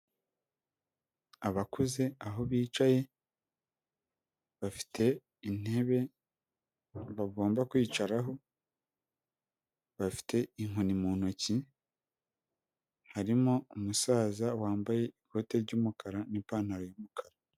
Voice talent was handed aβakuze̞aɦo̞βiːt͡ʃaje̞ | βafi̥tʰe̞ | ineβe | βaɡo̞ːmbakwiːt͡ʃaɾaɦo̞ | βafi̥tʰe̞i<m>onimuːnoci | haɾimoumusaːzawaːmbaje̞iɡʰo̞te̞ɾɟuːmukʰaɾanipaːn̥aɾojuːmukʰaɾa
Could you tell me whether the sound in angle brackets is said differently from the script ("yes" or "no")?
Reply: yes